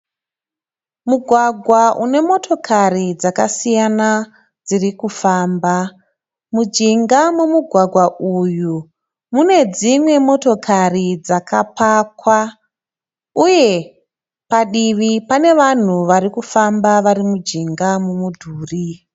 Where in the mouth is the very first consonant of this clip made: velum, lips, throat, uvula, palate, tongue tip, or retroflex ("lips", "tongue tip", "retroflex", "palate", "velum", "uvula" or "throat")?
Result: lips